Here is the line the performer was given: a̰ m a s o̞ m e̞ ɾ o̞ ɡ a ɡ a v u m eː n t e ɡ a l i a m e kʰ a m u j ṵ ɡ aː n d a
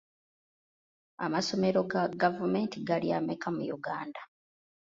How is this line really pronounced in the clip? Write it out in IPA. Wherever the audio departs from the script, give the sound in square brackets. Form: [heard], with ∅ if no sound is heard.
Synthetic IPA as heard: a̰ m a s o̞ m e̞ ɾ o̞ ɡ a ɡ a v u m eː n t [i] ɡ a l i a m e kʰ a m u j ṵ ɡ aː n d a